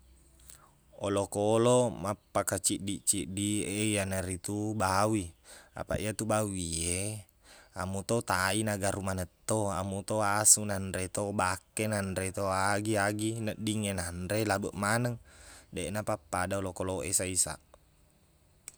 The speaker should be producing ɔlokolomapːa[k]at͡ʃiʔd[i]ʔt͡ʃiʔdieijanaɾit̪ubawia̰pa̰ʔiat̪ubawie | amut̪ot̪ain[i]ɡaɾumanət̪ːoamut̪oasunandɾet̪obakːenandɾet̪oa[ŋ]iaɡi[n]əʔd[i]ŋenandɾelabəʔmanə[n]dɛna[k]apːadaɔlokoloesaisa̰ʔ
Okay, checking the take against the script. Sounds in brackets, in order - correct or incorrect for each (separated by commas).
correct, correct, incorrect, incorrect, correct, correct, incorrect, incorrect